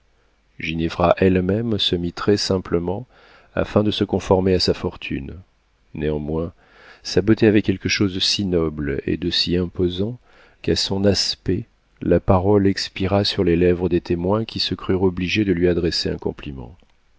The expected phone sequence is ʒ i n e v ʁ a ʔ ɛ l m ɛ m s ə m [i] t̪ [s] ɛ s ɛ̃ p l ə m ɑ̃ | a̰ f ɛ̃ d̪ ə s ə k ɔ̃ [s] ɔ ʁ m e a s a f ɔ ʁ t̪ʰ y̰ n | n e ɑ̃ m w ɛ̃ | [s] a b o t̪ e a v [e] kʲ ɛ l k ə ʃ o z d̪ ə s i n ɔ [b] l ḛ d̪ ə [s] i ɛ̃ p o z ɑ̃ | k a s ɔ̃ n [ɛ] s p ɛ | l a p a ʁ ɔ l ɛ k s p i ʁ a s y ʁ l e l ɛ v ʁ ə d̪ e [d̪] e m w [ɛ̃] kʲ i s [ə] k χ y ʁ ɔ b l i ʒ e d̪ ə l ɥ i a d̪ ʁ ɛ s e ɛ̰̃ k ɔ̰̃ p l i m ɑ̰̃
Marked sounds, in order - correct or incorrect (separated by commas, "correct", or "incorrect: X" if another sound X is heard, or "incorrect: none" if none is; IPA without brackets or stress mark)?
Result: correct, incorrect: χ, incorrect: f, correct, incorrect: ɛ, correct, correct, incorrect: a, incorrect: t̪, correct, correct